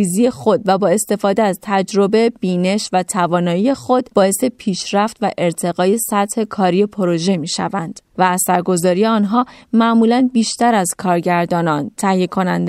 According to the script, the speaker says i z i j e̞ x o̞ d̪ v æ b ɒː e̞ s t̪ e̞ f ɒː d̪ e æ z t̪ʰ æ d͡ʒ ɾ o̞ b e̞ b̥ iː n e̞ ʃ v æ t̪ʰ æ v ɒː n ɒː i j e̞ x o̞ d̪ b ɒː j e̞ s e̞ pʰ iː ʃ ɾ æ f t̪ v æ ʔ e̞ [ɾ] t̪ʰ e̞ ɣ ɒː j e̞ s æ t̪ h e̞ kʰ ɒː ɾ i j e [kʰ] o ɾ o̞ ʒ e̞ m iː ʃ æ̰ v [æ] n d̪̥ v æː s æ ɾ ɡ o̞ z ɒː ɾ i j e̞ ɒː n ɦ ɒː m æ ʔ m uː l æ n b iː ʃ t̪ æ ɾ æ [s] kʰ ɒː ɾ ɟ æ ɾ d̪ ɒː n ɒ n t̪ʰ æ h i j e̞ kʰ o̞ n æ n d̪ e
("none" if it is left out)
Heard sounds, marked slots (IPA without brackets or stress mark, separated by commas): ɾ, pʰ, æ, z